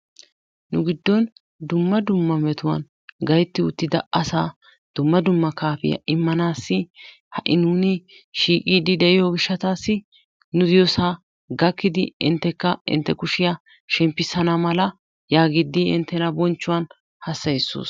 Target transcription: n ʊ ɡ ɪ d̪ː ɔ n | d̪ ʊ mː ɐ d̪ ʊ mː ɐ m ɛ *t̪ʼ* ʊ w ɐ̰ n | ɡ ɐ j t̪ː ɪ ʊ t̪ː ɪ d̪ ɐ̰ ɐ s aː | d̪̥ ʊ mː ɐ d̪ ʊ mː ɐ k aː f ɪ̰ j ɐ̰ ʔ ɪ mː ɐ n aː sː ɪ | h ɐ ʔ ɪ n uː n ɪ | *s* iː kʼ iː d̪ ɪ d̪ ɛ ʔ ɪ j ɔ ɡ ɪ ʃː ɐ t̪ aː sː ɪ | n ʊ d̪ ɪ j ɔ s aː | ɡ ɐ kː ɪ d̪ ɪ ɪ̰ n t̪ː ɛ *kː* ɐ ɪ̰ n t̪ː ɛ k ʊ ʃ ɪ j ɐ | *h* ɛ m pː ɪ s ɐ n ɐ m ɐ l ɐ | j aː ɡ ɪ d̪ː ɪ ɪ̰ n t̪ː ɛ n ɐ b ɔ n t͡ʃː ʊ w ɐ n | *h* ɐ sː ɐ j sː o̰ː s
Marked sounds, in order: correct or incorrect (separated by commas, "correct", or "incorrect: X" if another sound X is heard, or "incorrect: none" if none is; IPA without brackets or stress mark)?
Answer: incorrect: t̪, incorrect: ʃ, correct, incorrect: ʃ, correct